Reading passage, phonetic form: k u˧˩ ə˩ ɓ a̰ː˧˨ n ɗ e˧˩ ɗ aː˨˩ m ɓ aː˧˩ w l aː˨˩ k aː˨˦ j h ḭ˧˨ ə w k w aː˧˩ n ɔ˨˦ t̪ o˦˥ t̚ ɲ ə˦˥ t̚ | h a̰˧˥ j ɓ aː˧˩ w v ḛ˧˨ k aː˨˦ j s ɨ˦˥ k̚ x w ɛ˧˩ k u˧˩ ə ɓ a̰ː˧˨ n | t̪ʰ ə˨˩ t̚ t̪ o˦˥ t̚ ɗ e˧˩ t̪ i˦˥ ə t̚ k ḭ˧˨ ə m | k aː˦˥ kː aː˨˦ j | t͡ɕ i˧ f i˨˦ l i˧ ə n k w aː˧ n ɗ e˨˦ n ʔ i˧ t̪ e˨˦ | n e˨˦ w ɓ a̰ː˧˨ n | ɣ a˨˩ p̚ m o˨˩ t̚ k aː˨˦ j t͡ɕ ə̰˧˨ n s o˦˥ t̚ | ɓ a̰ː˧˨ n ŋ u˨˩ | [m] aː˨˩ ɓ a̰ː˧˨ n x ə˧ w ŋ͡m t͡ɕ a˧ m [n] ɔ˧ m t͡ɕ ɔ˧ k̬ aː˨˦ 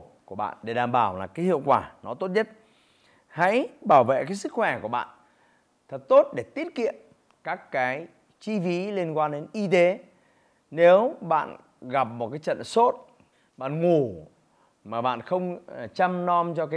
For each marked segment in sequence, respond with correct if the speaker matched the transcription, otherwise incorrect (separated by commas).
correct, correct